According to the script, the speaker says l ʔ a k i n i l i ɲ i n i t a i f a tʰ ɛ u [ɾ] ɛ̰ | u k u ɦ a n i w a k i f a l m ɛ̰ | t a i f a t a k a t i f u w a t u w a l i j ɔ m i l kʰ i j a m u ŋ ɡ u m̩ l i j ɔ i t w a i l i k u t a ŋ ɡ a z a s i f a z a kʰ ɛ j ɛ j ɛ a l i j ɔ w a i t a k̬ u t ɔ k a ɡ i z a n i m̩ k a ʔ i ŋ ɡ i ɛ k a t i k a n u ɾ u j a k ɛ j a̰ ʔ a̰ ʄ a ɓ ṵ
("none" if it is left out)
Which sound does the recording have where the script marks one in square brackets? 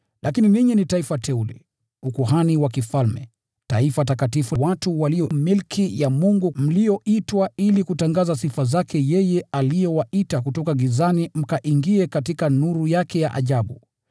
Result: l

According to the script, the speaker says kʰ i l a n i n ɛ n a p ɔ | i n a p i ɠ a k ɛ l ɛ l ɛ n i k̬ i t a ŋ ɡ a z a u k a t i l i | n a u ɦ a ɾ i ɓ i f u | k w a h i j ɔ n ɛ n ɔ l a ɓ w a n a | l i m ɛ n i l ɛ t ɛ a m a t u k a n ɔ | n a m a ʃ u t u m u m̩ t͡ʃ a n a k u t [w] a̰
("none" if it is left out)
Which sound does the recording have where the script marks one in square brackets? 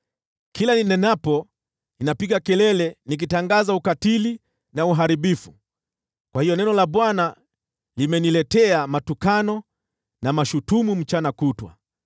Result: w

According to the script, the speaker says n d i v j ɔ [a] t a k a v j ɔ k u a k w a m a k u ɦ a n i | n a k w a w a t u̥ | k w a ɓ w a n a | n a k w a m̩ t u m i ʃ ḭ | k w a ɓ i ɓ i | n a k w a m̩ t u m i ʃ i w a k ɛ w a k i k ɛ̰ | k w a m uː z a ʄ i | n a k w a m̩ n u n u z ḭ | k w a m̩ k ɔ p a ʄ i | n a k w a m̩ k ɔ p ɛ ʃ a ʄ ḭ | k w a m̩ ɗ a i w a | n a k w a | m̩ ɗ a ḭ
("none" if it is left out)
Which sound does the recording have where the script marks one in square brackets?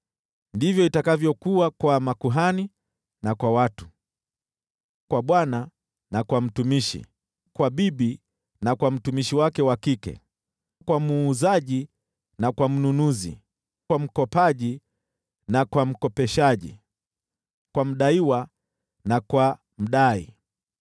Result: i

